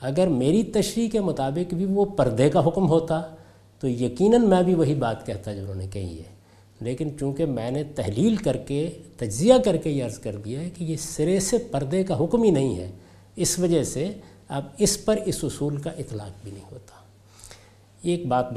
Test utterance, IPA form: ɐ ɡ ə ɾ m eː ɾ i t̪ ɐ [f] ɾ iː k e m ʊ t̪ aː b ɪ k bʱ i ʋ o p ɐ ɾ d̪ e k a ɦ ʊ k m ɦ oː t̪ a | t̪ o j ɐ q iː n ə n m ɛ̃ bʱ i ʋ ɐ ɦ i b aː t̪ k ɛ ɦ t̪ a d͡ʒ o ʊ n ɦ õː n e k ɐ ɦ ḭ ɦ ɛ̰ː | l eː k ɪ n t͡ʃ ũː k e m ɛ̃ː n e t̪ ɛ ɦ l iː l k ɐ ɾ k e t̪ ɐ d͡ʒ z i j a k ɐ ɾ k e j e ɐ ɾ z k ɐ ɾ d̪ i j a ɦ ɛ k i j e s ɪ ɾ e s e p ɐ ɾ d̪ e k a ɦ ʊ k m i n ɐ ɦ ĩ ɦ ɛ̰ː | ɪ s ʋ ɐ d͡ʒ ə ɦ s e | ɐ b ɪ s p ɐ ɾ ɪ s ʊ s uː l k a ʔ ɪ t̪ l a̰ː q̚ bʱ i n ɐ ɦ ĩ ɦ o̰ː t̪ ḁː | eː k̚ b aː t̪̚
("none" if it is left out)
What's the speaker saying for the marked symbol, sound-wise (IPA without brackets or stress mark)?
ʃ